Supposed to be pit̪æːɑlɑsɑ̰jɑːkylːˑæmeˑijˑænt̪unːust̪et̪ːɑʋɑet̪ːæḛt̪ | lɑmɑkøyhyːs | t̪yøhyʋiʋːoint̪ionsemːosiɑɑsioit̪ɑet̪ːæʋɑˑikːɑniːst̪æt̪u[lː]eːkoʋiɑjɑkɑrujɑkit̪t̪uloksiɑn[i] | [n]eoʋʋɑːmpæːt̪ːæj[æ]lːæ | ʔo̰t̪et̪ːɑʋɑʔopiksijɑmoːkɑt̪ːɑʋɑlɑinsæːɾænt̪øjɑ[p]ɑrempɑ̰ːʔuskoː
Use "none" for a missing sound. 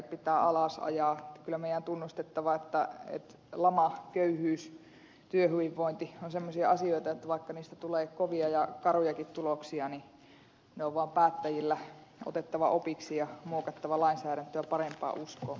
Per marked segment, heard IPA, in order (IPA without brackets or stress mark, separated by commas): l, i, n, i, p